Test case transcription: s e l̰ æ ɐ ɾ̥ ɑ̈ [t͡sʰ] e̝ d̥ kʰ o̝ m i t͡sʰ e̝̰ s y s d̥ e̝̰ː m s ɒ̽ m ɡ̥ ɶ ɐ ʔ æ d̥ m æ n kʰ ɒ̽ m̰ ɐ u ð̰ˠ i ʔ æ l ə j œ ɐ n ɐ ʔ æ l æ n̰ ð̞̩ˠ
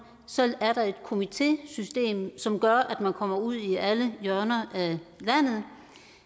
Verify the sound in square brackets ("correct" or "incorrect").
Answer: incorrect